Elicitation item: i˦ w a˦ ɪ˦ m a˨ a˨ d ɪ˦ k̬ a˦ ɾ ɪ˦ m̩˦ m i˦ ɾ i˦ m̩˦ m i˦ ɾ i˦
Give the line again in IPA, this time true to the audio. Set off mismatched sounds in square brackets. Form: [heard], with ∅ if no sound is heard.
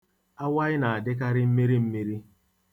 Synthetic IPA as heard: [a˦] w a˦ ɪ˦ [n] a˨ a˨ d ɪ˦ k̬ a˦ ɾ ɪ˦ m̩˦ m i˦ ɾ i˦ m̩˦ m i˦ ɾ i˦

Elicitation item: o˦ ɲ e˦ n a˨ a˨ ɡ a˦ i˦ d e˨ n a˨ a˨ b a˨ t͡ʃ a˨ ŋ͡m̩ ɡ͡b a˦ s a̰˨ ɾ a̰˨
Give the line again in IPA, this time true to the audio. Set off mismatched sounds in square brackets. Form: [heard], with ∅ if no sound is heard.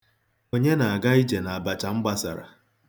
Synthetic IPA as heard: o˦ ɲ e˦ n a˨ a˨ ɡ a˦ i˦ [d͡ʒ] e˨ n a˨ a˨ b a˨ t͡ʃ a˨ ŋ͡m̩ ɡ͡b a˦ s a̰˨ ɾ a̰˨

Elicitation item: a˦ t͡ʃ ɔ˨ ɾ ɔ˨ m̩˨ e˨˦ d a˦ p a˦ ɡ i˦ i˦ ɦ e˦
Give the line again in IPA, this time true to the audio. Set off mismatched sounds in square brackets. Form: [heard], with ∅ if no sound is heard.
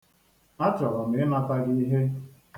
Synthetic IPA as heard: a˦ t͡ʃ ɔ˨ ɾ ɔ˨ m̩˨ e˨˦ [n] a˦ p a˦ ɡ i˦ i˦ ɦ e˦

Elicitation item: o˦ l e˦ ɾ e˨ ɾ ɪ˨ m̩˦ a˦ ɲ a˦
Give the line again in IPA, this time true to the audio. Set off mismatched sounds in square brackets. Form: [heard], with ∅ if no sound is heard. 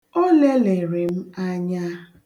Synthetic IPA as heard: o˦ l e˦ [l] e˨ ɾ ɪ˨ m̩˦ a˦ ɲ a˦

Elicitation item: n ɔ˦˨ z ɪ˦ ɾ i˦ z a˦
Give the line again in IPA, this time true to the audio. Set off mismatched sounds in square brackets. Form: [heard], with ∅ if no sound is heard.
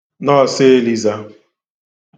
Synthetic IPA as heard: n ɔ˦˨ [s] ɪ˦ [l] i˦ z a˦

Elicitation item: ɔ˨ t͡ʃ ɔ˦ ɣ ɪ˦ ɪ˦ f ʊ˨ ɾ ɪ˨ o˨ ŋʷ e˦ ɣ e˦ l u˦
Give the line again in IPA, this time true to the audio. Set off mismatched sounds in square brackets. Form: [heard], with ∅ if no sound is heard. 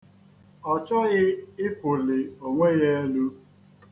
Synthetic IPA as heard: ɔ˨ t͡ʃ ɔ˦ ɣ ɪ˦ ɪ˦ f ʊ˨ [l] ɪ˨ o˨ ŋʷ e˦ ɣ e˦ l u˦

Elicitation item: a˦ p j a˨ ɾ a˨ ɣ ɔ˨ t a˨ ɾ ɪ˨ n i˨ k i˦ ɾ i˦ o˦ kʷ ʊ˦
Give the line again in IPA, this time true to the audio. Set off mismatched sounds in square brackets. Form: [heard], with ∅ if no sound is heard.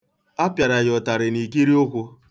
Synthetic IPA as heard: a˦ p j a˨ ɾ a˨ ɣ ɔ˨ t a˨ ɾ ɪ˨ n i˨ k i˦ ɾ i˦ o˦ kʷ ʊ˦

